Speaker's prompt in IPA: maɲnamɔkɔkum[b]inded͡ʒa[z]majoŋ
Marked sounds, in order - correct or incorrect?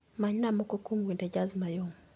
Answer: incorrect, correct

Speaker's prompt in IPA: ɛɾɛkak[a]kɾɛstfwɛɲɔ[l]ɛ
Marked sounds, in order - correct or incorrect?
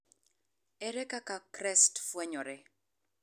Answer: correct, incorrect

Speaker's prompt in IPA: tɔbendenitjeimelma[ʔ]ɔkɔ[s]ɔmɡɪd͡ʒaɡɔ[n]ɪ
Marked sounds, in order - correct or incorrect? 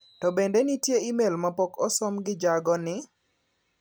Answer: incorrect, correct, correct

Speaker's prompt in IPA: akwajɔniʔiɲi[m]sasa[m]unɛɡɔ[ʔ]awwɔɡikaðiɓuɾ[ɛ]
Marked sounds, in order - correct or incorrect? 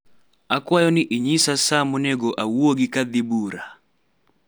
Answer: incorrect, correct, correct, incorrect

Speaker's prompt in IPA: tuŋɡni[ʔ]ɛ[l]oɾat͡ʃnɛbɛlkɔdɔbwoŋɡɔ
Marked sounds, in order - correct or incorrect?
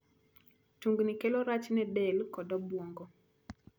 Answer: incorrect, correct

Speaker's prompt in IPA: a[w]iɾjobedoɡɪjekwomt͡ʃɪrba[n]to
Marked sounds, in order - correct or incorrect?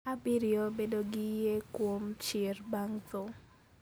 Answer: incorrect, incorrect

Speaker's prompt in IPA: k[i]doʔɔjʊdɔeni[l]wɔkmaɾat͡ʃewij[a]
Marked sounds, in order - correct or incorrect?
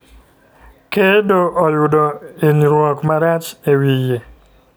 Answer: incorrect, incorrect, incorrect

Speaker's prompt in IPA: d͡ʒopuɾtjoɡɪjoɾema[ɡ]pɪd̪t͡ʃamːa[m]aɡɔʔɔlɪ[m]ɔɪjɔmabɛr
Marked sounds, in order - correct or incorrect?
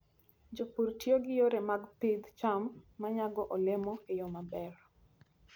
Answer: correct, incorrect, correct

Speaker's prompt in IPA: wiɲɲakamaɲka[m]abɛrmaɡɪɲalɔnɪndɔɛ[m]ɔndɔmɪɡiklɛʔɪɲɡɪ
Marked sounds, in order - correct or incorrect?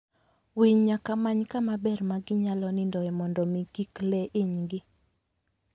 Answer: correct, correct

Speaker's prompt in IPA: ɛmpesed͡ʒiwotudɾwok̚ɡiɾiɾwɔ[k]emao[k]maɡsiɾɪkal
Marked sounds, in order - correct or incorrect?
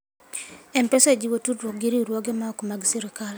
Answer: incorrect, correct

